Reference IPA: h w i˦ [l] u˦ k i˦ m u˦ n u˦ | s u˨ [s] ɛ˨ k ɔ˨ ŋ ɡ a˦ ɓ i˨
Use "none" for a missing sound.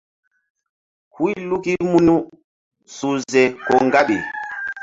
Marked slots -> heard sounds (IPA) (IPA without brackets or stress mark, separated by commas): l, z